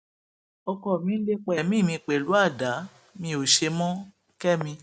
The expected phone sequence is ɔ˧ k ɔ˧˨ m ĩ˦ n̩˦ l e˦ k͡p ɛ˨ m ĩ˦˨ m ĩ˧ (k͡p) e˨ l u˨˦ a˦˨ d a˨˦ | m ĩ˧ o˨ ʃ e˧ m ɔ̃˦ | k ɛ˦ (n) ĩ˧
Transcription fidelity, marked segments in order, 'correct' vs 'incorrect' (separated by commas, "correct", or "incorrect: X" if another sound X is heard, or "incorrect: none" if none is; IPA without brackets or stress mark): correct, incorrect: m